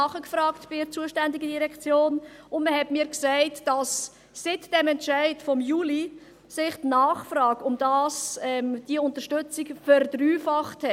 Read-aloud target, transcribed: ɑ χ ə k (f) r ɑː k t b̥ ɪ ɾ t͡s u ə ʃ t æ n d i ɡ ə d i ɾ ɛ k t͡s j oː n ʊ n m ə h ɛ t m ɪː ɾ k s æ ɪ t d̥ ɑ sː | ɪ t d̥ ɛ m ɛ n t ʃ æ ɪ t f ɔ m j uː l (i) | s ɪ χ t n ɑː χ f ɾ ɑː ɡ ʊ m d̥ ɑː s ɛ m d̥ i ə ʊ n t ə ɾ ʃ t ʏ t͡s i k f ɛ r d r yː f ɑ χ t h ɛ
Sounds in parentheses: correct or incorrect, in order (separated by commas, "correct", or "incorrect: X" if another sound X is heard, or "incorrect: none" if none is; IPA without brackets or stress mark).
correct, correct